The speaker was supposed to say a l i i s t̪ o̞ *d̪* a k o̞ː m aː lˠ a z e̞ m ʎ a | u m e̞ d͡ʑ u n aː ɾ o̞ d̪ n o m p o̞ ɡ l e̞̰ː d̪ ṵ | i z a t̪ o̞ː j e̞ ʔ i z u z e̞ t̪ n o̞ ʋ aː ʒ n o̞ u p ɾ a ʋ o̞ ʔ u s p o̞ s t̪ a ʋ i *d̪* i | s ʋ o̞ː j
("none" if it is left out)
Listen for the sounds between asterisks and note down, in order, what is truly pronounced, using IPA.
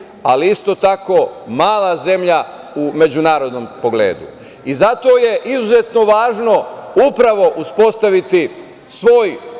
t̪, t̪

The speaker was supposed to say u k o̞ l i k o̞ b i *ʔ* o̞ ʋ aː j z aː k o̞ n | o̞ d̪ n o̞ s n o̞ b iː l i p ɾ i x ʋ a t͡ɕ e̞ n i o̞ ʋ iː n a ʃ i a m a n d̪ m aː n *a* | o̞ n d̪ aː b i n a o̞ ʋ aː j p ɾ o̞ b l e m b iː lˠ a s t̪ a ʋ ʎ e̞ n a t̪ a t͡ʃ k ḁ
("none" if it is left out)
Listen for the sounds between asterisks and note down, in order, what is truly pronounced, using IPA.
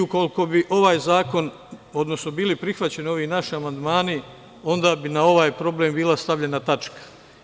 ʔ, i

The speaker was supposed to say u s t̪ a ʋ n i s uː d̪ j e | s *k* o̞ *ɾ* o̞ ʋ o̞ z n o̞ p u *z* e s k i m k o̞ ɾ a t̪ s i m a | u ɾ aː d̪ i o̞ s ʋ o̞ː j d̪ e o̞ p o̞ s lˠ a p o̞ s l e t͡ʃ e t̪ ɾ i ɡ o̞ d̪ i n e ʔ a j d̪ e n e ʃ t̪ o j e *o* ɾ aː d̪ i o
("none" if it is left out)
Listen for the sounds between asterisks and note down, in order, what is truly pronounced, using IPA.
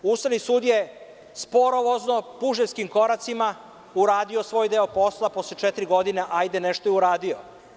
p, ɾ, ʒ, u

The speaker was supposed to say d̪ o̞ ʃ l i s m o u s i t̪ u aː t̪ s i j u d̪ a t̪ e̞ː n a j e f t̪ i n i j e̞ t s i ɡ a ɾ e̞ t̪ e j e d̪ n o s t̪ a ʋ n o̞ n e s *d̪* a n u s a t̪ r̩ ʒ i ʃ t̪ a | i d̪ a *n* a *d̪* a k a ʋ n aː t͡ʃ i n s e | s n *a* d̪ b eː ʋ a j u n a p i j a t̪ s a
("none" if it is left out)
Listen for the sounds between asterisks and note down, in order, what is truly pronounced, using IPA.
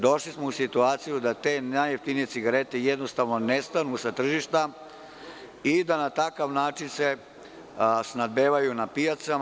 t̪, n, t̪, a

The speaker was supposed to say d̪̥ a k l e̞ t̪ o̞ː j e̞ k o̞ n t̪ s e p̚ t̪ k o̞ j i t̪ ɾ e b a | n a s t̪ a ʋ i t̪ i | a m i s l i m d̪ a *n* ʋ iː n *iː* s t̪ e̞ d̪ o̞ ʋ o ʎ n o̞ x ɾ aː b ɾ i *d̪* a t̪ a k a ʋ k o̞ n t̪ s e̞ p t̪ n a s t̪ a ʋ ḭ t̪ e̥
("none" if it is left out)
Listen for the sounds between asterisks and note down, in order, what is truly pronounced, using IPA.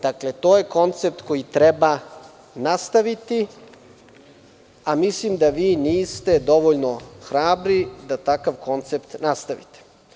none, iː, d̪

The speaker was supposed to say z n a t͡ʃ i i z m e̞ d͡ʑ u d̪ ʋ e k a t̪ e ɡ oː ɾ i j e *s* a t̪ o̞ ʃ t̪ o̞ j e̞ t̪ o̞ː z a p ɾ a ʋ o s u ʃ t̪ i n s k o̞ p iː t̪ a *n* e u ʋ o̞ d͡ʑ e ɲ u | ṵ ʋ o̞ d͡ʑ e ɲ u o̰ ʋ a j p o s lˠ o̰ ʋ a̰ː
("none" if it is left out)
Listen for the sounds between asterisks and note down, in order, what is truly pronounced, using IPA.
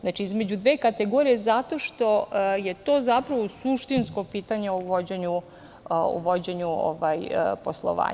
z, ɲ

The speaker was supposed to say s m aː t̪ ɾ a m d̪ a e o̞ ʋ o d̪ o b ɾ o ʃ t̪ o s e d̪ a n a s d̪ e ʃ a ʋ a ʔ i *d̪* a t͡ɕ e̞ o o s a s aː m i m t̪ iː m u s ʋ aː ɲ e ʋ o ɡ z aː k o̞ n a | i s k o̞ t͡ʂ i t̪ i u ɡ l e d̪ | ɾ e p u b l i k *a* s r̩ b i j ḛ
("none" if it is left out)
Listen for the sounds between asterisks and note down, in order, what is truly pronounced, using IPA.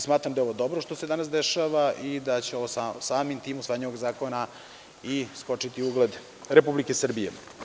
d̪, e

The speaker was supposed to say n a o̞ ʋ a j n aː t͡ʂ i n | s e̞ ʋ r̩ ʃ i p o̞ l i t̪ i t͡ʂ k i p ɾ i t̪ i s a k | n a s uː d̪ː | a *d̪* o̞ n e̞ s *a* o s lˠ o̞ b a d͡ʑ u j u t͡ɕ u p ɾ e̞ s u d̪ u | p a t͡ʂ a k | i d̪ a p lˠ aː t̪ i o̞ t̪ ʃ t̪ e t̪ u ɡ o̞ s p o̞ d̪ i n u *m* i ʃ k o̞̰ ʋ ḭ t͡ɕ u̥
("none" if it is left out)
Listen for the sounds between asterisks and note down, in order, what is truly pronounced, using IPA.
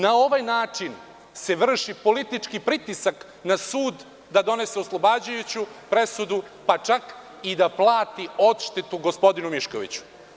d̪, e, m

